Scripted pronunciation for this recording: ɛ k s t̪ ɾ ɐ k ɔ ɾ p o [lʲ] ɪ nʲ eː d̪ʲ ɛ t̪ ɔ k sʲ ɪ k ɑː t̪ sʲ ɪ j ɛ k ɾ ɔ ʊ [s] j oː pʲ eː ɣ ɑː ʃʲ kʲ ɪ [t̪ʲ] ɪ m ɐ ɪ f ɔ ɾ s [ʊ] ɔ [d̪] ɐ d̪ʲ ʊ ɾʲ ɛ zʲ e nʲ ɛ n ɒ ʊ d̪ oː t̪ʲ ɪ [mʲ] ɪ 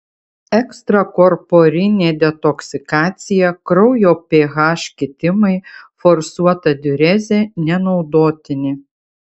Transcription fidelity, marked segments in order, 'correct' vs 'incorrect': incorrect: ɾʲ, incorrect: none, correct, incorrect: u, incorrect: t̪, incorrect: nʲ

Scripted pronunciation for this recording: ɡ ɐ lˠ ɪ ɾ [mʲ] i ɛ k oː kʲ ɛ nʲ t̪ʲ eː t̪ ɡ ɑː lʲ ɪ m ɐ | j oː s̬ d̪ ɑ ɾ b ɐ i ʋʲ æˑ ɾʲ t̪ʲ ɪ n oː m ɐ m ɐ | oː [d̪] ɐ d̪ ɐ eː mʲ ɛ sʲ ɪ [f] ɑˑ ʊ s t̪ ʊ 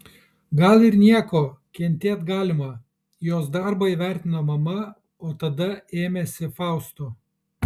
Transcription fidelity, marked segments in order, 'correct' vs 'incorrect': incorrect: nʲ, incorrect: t̪, correct

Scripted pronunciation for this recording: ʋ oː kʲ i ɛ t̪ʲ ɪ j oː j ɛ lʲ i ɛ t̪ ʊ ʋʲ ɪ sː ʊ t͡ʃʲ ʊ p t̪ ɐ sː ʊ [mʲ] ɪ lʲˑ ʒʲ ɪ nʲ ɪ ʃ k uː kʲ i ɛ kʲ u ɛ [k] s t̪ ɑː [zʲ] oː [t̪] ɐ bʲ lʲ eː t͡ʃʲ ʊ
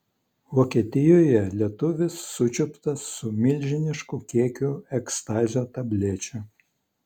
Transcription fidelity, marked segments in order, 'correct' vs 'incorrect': correct, correct, correct, correct

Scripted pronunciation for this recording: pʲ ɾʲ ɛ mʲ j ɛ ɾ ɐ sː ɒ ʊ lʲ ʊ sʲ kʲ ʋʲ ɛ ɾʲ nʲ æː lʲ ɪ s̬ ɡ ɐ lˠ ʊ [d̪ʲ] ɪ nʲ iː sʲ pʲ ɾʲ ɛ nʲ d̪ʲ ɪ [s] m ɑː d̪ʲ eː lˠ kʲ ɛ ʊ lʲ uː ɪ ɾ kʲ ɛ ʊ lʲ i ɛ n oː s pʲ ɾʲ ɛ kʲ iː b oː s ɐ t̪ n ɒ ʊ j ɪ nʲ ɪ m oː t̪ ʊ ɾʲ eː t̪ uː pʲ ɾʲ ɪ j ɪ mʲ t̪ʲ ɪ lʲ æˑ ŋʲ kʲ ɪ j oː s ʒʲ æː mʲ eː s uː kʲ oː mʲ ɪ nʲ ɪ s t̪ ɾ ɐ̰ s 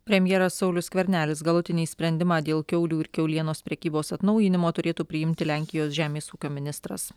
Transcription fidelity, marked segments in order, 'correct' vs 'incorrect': incorrect: t̪ʲ, incorrect: none

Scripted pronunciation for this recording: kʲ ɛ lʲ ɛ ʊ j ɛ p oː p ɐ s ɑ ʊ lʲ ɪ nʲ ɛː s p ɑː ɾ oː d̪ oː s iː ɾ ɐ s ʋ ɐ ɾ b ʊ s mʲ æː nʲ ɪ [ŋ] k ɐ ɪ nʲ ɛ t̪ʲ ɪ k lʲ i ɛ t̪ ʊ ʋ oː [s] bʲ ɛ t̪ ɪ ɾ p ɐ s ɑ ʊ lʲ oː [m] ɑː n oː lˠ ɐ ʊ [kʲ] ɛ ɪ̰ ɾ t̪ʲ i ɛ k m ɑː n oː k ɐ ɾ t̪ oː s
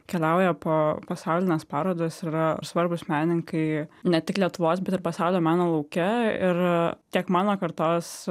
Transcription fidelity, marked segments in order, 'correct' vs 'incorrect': correct, correct, correct, correct

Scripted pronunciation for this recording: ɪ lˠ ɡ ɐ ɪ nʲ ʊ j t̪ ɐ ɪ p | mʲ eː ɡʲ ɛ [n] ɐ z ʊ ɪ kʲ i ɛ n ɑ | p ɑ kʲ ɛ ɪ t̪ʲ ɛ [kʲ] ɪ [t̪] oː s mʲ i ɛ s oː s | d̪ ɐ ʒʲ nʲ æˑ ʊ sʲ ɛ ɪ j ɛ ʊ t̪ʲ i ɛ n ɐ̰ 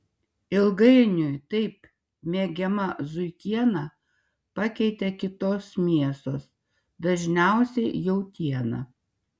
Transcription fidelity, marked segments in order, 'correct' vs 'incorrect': incorrect: m, correct, correct

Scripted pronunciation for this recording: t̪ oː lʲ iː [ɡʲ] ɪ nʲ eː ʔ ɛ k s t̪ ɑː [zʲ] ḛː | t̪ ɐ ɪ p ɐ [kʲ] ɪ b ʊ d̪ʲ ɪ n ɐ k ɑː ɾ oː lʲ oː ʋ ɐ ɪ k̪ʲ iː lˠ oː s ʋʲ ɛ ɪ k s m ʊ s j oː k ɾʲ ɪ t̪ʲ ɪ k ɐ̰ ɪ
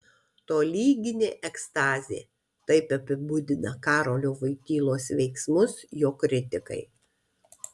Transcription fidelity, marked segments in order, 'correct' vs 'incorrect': correct, correct, incorrect: pʲ

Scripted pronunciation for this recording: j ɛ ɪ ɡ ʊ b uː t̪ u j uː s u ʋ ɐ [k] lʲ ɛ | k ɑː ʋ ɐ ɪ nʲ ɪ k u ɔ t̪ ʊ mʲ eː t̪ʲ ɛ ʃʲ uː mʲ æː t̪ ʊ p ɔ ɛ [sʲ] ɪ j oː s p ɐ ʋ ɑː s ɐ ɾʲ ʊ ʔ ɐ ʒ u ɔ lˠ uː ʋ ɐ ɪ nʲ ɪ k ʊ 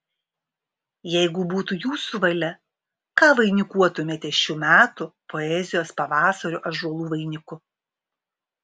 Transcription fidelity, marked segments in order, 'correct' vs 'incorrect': incorrect: none, incorrect: zʲ

